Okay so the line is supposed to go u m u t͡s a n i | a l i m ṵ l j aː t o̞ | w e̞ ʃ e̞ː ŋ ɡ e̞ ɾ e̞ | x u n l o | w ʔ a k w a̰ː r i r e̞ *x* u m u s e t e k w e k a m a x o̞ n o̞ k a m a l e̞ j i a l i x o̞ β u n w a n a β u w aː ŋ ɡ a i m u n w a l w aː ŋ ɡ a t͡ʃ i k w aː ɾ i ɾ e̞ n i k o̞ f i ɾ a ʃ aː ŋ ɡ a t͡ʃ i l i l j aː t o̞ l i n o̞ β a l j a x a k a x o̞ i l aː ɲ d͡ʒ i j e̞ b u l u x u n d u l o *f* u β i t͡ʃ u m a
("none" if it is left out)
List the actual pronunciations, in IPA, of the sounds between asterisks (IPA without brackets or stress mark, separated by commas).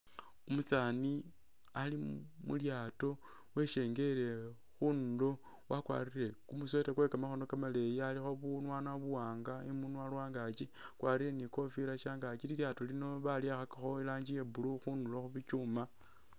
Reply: k, x